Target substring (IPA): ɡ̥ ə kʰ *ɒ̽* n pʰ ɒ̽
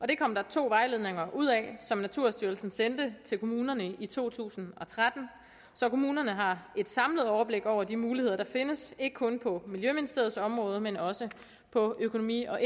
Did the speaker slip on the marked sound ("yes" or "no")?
yes